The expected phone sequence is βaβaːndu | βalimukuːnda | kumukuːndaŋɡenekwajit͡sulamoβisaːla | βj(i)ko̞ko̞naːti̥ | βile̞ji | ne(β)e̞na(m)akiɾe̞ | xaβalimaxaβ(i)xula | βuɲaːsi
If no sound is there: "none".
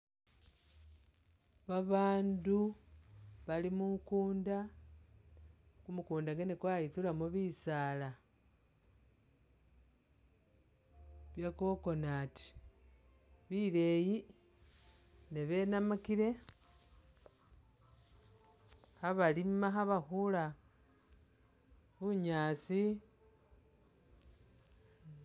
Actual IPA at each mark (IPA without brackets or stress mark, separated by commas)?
a, β, m, a